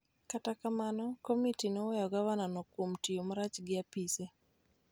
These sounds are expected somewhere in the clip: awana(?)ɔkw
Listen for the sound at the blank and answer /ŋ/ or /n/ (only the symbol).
n